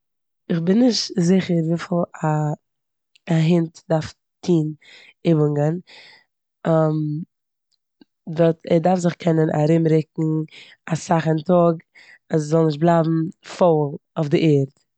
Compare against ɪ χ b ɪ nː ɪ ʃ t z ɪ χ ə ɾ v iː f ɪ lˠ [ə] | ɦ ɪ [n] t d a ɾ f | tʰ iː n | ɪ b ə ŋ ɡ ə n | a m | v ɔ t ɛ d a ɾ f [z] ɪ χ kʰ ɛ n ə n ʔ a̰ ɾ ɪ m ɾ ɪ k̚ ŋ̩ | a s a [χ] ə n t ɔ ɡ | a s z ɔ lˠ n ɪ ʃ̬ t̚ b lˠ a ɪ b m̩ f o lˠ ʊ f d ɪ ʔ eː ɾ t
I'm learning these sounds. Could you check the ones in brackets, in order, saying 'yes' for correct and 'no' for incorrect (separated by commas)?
no, yes, yes, yes